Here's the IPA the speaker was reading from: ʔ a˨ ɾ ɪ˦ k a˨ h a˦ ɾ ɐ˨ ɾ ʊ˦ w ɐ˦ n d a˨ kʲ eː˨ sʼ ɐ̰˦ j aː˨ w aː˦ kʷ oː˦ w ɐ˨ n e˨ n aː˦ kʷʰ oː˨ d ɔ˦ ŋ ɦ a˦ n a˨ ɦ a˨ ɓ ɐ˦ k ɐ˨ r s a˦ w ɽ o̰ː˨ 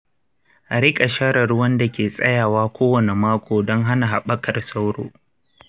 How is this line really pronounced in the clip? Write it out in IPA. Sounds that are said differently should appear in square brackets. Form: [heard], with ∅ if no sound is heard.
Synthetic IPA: ʔ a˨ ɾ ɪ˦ [kʼ] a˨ [ʃ] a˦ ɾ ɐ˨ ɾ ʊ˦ w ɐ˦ n d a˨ kʲ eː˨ sʼ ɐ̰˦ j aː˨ w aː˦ kʷ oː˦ w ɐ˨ n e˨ [m] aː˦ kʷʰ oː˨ d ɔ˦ ŋ ɦ a˦ n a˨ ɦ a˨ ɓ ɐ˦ k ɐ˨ r s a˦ w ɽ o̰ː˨

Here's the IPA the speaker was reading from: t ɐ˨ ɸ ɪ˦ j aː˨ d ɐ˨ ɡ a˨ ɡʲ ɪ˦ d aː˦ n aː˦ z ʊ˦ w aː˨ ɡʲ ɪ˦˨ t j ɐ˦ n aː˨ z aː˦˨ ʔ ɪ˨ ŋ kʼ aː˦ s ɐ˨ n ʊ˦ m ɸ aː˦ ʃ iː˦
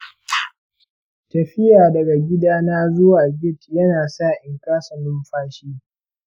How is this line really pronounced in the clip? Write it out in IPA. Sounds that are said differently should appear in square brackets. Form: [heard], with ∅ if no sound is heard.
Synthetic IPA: t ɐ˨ ɸ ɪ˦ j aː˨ d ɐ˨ ɡ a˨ ɡʲ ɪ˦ d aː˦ n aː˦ z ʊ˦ w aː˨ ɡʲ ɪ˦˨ t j ɐ˦ n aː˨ [s] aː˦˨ ʔ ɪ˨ ŋ [k] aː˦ s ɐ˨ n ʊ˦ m ɸ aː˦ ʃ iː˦

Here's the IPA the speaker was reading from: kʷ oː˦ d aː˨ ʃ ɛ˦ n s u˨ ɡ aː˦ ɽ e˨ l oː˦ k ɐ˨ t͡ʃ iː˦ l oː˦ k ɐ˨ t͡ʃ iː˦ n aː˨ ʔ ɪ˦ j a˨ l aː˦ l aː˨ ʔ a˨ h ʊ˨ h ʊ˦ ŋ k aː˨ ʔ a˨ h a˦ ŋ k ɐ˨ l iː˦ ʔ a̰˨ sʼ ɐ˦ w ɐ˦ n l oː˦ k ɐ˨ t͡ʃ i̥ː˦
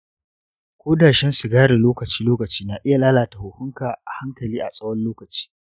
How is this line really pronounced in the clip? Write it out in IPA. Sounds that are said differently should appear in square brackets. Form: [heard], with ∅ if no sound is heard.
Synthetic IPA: kʷ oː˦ d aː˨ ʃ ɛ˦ n s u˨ ɡ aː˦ ɽ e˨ l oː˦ k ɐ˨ t͡ʃ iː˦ l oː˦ k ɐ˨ t͡ʃ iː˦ n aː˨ ʔ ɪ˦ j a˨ l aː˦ l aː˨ [t] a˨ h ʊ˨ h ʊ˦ ŋ k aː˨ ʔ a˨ h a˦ ŋ k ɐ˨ l iː˦ ʔ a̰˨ sʼ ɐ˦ w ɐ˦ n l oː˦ k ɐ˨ t͡ʃ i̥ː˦

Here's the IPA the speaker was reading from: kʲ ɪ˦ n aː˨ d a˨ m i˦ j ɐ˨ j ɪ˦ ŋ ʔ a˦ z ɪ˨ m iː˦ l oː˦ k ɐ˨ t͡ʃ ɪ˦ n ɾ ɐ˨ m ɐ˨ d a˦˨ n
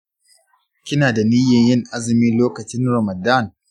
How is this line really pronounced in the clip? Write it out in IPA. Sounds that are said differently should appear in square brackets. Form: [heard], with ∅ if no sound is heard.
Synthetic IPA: kʲ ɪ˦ n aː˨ d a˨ [n] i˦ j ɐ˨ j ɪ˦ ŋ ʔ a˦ z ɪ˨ m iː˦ l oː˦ k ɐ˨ t͡ʃ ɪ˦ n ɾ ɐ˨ m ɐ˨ d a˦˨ n

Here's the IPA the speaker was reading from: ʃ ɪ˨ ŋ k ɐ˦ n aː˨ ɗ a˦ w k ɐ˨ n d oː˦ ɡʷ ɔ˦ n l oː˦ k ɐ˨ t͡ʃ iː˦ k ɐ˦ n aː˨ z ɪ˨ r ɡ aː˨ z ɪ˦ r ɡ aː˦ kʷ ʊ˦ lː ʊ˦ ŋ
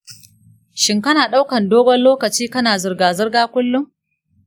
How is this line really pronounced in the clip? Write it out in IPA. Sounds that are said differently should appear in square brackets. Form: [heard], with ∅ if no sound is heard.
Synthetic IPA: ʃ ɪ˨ ŋ k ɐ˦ n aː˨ ɗ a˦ w k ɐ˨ n d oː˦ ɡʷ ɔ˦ n l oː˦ k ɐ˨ t͡ʃ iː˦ k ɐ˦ n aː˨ z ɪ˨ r ɡ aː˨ z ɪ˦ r ɡ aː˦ kʷ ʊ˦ lː ʊ˦ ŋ

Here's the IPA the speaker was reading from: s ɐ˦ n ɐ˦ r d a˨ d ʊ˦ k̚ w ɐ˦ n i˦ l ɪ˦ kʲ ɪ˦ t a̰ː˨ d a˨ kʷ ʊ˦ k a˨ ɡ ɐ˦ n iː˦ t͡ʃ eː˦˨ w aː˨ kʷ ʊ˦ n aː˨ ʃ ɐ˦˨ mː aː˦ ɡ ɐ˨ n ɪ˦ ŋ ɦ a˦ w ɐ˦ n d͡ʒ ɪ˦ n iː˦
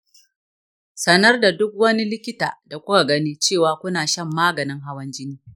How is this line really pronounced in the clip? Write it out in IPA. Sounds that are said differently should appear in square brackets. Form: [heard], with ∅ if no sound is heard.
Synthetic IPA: s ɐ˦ n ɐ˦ r d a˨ d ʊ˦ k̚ w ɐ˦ n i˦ l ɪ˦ kʲ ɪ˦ t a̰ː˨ d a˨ kʷ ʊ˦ k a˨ ɡ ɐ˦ n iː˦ t͡ʃ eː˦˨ w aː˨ kʷ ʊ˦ n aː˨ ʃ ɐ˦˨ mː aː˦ ɡ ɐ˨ n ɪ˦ ŋ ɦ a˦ w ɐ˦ n d͡ʒ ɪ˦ n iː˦

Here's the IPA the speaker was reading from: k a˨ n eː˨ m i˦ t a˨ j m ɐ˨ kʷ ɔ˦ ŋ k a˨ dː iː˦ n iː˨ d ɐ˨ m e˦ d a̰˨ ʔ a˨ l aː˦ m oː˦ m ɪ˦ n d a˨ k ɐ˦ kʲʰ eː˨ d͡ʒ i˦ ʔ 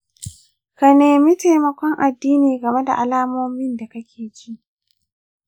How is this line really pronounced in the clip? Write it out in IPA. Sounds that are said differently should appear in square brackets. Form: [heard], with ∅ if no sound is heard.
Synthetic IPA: k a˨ n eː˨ m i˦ t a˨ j m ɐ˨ kʷ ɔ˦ ŋ [ʔ] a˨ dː iː˦ n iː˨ [ɡ] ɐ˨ m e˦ d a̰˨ ʔ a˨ l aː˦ m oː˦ m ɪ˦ n d a˨ k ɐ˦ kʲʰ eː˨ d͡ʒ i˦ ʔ

